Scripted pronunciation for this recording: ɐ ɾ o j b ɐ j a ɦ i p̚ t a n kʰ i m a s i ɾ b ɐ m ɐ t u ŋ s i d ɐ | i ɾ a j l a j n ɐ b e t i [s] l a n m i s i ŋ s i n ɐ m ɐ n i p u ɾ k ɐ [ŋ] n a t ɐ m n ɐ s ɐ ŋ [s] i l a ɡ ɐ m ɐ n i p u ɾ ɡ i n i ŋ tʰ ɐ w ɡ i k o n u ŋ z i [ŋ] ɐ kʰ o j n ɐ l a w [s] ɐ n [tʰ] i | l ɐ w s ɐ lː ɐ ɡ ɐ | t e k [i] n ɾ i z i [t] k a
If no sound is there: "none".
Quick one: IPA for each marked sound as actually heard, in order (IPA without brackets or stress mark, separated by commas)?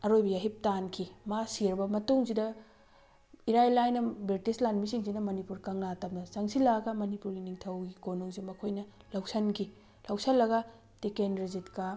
s, ŋ, s, m, s, kʰ, e, t